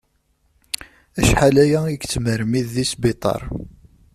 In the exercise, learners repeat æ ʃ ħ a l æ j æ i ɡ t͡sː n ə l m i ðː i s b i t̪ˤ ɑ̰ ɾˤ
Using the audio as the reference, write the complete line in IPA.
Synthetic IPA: æ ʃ ħ a l æ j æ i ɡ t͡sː m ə ɾ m i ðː i s b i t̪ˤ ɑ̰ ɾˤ